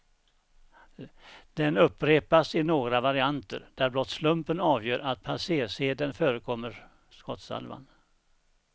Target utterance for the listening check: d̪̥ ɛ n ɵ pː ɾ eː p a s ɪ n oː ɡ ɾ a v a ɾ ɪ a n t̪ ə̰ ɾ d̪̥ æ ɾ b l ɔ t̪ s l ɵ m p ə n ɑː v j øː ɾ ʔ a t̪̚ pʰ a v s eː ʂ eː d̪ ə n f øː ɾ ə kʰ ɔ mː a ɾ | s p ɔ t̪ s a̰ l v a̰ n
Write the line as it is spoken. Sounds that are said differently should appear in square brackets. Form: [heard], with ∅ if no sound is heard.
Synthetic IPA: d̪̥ ɛ n ɵ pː ɾ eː p a s ɪ n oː ɡ ɾ a v a ɾ ɪ a n t̪ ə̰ ɾ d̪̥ æ ɾ b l ɔ t̪ s l ɵ m p ə n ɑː v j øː ɾ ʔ a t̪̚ pʰ a [∅] s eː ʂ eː d̪ ə n f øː ɾ ə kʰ ɔ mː [ə] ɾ | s [k] ɔ t̪ s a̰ l v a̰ n